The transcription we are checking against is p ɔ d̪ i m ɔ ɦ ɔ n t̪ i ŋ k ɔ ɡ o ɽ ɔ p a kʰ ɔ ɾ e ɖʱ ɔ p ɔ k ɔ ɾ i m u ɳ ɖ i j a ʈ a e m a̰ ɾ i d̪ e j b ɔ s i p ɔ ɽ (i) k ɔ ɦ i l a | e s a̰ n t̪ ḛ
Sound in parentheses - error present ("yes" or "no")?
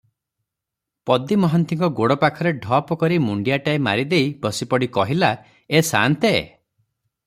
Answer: no